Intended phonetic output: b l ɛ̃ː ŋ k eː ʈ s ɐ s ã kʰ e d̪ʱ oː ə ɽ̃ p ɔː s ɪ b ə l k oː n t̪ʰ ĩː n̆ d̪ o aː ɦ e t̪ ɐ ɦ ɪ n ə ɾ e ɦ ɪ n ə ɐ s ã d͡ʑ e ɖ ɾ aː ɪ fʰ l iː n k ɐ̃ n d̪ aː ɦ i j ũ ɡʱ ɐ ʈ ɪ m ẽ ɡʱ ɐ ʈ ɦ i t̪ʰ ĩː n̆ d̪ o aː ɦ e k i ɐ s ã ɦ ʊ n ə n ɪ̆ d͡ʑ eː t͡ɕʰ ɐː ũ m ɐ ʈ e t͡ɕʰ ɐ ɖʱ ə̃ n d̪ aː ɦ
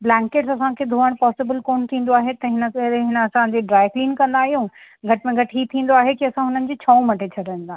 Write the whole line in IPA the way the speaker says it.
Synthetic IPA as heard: b l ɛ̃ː ŋ k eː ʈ s ɐ s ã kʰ e d̪ʱ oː ə ɽ̃ p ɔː s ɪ b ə l k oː n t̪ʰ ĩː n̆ d̪ o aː ɦ e t̪ ɐ ɦ ɪ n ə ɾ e ɦ ɪ n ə ɐ s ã d͡ʑ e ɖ ɾ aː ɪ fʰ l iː n k ɐ̃ n d̪ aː ɦ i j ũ ɡʱ ɐ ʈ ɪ m ẽ ɡʱ ɐ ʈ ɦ i t̪ʰ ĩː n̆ d̪ o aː ɦ e k i ɐ s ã ɦ ʊ n ə n ɪ̆ d͡ʑ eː t͡ɕʰ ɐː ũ m ɐ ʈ e t͡ɕʰ ɐ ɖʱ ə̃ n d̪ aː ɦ